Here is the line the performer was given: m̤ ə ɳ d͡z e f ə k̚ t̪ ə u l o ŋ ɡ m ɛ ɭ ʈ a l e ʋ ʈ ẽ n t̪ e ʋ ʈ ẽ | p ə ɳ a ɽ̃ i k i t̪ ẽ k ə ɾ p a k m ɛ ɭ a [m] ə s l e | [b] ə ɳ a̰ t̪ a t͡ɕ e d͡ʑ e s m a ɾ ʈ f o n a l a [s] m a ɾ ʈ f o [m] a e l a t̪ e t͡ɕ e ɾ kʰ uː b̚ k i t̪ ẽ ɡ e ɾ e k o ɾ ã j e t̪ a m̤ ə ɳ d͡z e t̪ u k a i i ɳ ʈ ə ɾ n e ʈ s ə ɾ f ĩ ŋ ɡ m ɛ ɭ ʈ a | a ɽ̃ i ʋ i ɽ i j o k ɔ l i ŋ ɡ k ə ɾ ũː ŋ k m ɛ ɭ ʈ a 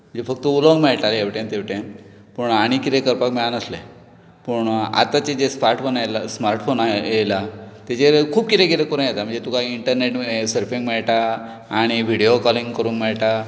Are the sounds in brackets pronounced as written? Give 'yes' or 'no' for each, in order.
no, no, yes, no

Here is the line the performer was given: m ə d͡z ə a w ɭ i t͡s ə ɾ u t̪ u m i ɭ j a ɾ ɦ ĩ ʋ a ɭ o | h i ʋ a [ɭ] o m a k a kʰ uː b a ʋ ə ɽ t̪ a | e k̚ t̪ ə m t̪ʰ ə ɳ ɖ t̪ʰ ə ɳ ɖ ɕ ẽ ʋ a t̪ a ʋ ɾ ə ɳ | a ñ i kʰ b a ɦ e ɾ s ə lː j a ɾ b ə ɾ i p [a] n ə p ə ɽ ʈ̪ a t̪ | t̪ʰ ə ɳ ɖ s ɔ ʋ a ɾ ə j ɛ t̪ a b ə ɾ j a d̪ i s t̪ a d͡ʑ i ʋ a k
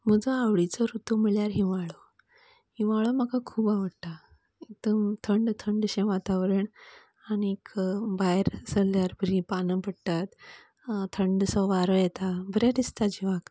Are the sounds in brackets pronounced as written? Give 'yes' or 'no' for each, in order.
yes, yes

